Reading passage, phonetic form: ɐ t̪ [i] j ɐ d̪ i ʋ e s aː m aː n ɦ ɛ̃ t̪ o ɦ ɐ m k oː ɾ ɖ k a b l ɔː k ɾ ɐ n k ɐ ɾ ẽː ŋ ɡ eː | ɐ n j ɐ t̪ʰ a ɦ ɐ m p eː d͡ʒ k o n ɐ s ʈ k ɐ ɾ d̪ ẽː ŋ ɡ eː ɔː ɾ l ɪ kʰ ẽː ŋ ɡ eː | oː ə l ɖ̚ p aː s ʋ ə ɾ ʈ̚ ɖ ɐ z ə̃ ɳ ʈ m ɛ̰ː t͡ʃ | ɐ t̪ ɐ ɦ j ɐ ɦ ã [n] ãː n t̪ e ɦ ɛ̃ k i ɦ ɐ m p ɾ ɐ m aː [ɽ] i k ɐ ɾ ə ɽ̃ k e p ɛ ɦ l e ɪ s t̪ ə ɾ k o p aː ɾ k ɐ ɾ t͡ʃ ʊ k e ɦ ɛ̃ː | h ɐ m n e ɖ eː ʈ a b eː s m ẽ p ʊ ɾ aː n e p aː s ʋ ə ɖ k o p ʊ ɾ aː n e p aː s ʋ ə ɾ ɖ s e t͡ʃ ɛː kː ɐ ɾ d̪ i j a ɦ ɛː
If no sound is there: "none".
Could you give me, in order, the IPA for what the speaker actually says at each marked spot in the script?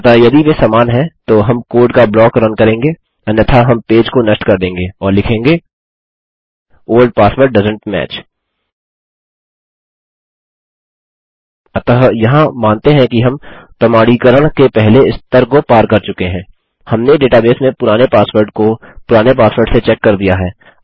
a, m, ɽ

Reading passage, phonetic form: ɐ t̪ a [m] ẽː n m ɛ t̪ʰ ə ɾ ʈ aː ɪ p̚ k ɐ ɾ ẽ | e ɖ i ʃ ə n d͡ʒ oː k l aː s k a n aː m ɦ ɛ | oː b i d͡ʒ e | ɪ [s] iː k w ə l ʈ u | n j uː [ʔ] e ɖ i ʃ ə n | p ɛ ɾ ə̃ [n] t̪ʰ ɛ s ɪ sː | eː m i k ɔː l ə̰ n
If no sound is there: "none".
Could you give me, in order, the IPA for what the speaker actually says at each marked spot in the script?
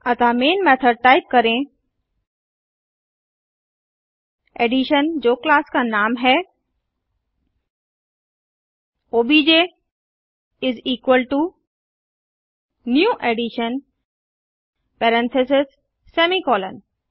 m, z, ʔ, n

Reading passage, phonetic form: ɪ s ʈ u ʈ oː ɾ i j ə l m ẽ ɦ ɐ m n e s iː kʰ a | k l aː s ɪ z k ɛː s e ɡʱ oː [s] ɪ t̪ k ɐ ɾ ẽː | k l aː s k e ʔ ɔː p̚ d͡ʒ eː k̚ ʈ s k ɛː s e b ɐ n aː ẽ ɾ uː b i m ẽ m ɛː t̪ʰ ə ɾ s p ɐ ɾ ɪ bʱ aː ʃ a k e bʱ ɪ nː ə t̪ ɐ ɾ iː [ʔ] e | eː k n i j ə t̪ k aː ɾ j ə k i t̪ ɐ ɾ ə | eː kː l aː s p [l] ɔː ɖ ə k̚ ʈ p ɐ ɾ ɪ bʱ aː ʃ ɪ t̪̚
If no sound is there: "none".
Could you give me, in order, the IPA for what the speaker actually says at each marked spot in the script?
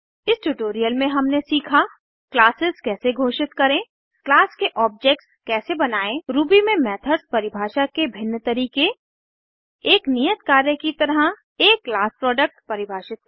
ʃ, k, ɾ

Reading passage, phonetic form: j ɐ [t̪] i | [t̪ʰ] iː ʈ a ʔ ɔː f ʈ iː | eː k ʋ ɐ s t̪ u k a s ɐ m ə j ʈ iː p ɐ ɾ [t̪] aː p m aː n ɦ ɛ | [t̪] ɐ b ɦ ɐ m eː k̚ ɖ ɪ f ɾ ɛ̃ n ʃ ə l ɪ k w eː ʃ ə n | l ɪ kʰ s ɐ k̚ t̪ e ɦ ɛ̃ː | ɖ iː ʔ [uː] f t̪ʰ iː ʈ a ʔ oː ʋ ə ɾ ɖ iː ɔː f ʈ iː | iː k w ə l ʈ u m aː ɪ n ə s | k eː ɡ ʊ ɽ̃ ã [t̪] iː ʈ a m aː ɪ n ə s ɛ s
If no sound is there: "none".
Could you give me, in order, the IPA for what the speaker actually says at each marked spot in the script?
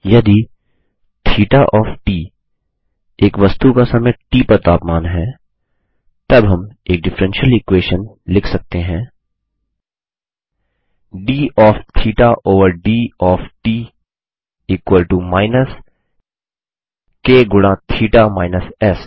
d̪, t̪ʰ, t̪, t̪, ɔː, t̪ʰ

